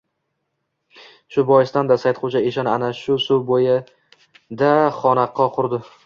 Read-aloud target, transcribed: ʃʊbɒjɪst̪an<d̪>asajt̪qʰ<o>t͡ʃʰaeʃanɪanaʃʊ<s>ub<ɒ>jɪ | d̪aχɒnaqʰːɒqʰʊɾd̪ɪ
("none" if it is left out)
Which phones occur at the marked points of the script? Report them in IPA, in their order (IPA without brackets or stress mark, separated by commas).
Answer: d̪, o, s, o